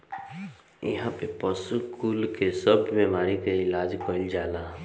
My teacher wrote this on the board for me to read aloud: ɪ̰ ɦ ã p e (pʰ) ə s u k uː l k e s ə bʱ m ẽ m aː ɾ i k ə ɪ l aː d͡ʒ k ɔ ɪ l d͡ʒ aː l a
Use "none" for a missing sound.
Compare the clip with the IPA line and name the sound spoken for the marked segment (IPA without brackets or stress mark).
p